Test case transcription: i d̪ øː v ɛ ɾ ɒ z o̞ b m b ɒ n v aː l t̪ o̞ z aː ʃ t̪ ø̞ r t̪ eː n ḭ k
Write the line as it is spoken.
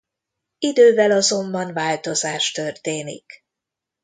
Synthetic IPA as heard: i d̪ øː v ɛ l ɒ z o̞ m b ɒ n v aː l t̪ o̞ z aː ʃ t̪ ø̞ r t̪ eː n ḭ k